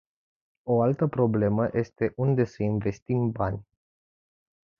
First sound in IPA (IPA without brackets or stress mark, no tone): o̞